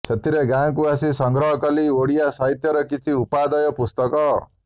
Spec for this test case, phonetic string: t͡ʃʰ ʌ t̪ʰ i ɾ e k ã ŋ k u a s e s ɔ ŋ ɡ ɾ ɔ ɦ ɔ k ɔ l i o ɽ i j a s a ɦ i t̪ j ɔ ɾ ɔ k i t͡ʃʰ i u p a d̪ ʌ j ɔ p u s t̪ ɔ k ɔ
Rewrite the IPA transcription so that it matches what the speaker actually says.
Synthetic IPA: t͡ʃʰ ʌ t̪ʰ i ɾ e ɡ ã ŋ k u a s i s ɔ ŋ ɡ ɾ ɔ ɦ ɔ k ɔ l i o ɽ i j a s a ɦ i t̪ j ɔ ɾ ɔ k i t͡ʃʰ i u p a d̪ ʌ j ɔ p u s t̪ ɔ k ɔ